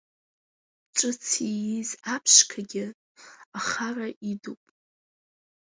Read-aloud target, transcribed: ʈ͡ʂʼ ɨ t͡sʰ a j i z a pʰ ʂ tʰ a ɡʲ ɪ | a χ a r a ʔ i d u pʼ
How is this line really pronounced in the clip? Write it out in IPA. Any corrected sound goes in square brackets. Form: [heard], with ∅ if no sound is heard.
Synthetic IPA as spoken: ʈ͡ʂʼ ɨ t͡sʰ [i] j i z a pʰ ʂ [kʰ] a ɡʲ ɪ | a χ a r a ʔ i d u pʼ